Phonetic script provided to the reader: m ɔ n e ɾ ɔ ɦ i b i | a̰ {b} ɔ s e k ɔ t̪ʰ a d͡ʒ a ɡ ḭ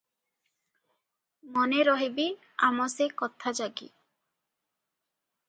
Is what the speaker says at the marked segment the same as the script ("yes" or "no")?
no